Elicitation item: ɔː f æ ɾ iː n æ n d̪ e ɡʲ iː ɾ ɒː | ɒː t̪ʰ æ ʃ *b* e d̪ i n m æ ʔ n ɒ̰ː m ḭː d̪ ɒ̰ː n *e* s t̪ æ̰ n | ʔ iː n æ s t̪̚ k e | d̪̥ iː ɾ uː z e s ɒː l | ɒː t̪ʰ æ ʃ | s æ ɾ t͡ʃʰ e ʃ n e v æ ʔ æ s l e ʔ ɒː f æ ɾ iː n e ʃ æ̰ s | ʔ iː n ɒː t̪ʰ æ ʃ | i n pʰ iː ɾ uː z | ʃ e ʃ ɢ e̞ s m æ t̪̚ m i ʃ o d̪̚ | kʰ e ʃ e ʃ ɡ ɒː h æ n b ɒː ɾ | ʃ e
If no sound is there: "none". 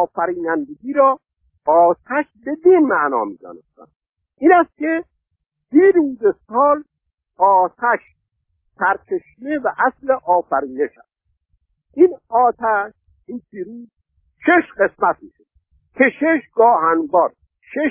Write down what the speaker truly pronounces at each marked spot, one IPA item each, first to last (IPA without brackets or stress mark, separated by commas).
b, e